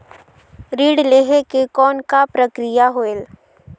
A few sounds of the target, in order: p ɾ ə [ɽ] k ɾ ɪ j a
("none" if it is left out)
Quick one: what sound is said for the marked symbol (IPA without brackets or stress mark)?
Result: none